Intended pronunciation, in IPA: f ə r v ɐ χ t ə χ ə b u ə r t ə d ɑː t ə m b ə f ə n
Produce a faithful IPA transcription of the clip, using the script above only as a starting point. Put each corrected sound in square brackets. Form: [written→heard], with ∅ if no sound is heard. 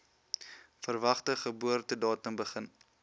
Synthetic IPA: f ə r v ɐ χ t ə χ ə b u ə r t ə d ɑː t ə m b ə [f→χ] ə n